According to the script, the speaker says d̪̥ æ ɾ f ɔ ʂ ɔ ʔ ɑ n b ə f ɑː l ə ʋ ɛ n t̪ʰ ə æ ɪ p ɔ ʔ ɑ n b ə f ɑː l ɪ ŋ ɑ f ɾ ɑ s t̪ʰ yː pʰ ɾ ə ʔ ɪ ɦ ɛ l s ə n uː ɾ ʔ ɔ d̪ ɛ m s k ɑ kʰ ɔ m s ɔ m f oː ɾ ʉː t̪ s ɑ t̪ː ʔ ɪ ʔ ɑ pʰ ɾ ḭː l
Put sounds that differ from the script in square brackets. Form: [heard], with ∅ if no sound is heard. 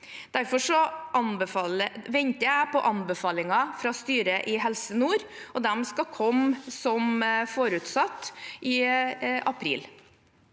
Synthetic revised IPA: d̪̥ æ ɾ f ɔ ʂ ɔ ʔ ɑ n b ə f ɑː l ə ʋ ɛ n [t̪] ə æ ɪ p ɔ ʔ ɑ n b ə f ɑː l ɪ ŋ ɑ f ɾ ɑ s [t̪] yː [∅] ɾ ə ʔ ɪ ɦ ɛ l s ə n uː ɾ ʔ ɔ d̪ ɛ m s k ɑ kʰ ɔ m s ɔ m f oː ɾ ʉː t̪ s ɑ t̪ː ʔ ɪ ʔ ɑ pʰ ɾ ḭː l